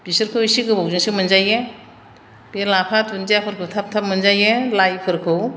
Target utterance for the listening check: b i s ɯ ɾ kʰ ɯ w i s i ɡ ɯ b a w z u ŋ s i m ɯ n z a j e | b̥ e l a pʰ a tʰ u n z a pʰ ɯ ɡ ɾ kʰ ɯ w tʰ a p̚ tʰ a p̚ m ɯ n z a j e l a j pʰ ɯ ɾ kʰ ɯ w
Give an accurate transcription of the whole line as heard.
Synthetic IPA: b i s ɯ ɾ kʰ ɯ w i s i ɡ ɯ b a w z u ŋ s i m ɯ n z a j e | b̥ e l a pʰ a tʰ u n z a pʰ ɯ ɾ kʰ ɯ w tʰ a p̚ tʰ a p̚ m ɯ n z a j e l a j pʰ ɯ ɾ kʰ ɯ w